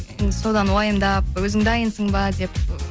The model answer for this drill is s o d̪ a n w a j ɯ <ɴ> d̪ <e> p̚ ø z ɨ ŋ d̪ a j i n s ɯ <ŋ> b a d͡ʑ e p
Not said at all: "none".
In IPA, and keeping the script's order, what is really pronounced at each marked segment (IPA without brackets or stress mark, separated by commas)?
m, a, ŋ